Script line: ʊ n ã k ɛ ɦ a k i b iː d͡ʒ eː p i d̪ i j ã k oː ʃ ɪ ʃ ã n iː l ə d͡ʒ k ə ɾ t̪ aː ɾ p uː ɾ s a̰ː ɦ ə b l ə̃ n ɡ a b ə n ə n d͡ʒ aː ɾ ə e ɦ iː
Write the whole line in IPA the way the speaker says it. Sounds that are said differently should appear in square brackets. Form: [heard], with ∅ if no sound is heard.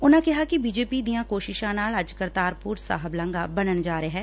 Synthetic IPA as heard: ʊ n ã k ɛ ɦ a k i b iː d͡ʒ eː p i d̪ i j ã k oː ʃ ɪ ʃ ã n [aː] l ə d͡ʒ k ə ɾ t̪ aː ɾ p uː ɾ s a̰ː ɦ ə b l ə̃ [ŋ] ɡ a b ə n ə n d͡ʒ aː ɾ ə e ɦ [ɛː]